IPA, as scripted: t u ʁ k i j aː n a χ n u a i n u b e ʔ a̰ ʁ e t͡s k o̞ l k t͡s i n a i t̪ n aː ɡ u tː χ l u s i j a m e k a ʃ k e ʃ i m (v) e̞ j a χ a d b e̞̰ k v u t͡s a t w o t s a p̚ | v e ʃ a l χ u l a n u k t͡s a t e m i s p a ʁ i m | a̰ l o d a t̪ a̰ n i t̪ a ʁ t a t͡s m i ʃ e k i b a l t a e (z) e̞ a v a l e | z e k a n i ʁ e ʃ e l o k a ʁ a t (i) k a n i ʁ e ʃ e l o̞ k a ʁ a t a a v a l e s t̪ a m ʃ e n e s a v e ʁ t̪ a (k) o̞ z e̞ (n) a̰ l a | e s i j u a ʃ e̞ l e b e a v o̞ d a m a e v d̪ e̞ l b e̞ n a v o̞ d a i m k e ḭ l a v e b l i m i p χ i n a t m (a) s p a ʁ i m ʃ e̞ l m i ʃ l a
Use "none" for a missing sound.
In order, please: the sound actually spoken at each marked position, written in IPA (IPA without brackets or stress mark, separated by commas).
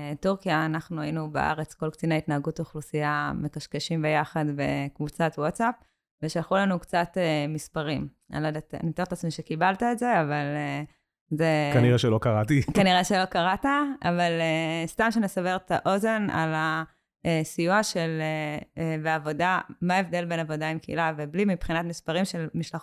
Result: b, z, i, ʔ, n, i